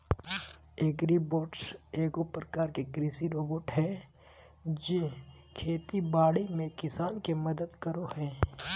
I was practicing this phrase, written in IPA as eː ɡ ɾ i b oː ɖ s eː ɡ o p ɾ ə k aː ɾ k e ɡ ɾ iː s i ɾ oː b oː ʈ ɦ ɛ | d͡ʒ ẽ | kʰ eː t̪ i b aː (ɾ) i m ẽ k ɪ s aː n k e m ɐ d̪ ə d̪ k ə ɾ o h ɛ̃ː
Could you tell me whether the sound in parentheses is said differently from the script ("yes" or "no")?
yes